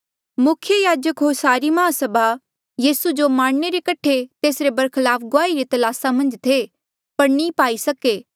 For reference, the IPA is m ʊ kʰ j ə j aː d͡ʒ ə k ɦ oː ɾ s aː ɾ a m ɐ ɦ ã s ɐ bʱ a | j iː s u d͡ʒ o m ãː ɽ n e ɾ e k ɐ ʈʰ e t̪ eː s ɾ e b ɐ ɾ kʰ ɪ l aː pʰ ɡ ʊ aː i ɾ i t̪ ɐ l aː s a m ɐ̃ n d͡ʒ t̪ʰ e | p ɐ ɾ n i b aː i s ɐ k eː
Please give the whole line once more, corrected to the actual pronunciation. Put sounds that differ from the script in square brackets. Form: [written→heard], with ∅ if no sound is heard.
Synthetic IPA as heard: m ʊ kʰ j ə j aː d͡ʒ ə k ɦ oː ɾ s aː ɾ [a→i] m ɐ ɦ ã s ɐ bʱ a | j iː s u d͡ʒ o m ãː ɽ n e ɾ e k ɐ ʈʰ e t̪ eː s ɾ e b ɐ ɾ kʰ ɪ l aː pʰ ɡ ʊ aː i ɾ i t̪ ɐ l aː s a m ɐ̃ n d͡ʒ t̪ʰ e | p ɐ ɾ n i [b→p] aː i s ɐ k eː